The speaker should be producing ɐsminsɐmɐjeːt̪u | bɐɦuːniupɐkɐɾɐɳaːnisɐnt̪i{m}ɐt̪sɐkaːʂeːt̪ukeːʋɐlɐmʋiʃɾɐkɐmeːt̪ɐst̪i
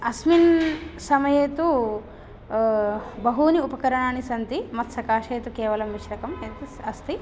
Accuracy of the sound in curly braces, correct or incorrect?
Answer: correct